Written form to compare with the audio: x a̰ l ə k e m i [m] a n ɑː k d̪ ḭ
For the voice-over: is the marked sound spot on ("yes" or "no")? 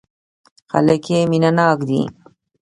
no